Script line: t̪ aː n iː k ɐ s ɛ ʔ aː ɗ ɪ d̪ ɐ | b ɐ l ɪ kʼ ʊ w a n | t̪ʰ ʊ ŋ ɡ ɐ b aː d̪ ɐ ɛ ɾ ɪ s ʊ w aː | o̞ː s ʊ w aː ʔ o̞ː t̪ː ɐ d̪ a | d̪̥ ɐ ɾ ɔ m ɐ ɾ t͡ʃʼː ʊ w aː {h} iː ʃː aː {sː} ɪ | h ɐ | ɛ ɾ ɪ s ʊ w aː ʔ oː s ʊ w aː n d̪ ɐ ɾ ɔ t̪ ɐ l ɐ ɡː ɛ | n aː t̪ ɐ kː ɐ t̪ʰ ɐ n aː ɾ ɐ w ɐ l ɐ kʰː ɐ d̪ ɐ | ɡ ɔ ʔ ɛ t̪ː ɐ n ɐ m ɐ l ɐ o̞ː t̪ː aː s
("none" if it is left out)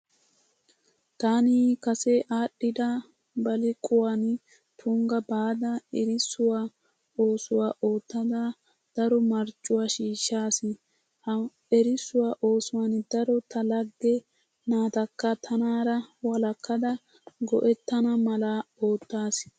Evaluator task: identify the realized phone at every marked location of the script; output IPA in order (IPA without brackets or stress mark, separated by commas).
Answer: ʃ, s